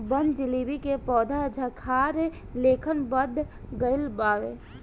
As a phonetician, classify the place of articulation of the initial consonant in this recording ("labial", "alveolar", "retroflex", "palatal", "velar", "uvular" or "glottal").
labial